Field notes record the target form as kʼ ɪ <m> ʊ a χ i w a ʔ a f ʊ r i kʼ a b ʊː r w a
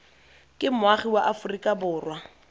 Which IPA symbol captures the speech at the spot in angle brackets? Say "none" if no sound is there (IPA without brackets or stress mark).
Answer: m